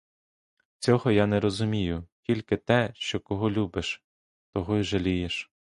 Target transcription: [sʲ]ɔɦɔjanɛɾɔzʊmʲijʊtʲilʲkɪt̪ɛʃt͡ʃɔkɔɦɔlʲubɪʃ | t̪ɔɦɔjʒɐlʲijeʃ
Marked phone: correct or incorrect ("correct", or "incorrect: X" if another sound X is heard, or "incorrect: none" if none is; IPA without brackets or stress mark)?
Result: incorrect: t͡sʲ